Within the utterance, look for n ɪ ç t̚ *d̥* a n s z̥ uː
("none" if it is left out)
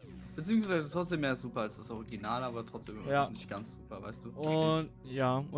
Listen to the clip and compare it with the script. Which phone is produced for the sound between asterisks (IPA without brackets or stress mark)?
ɡ̥